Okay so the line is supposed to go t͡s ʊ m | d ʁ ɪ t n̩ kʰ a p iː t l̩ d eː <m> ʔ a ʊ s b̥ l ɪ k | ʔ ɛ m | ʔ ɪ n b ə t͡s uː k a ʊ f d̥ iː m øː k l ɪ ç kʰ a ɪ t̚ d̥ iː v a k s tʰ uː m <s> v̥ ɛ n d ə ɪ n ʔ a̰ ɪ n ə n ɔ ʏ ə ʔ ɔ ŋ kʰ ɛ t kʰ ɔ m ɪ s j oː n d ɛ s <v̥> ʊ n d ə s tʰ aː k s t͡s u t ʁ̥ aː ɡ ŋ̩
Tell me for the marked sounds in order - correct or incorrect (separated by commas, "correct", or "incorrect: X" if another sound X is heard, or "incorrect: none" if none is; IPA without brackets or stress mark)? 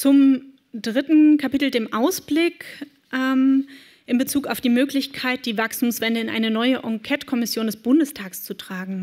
correct, correct, incorrect: b̥